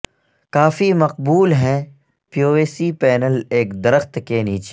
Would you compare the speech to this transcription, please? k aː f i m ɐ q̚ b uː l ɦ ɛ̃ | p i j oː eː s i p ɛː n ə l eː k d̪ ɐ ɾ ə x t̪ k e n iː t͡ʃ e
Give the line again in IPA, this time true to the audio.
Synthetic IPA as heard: k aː f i m ɐ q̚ b uː l ɦ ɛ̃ | p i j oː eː s i p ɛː n ə l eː k d̪ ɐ ɾ ə x t̪ k e n iː t͡ʃ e